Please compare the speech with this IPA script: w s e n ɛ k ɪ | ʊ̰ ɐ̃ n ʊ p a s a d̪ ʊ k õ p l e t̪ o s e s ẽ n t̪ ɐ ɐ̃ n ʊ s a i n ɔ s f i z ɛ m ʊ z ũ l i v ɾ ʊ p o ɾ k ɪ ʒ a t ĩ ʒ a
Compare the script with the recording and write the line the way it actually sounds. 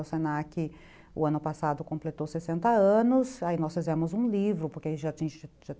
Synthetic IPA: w s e n a k ɪ | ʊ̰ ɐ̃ n ʊ p a s a d̪ ʊ k õ p l e t̪ o s e s ẽ n t̪ ɐ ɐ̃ n ʊ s a i n ɔ s f i z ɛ m ʊ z ũ l i v ɾ ʊ p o ɾ k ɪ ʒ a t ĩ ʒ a